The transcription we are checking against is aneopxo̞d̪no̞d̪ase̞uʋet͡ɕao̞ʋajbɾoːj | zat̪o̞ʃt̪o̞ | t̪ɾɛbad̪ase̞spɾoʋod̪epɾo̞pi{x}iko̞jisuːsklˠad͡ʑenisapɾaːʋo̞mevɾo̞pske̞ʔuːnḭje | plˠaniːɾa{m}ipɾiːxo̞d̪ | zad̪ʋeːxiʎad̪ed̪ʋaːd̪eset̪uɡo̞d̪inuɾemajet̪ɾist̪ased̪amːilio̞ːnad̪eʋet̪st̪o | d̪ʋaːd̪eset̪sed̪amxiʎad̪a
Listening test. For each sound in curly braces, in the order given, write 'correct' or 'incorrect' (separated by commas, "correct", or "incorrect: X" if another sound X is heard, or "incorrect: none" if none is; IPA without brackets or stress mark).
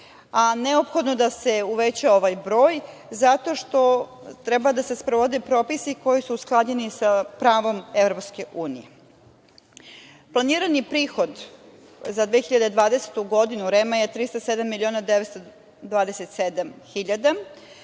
incorrect: s, incorrect: n